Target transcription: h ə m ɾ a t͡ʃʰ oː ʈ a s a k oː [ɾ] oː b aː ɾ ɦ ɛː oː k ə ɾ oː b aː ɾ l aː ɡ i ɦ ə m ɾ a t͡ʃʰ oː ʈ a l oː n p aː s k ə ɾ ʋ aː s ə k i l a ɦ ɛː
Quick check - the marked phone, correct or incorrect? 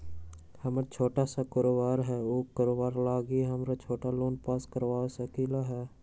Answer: correct